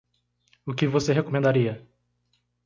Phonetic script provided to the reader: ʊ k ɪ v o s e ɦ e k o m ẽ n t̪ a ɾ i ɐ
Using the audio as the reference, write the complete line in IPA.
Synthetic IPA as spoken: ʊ k ɪ v o s e ɦ e k o m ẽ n d̪ a ɾ i ɐ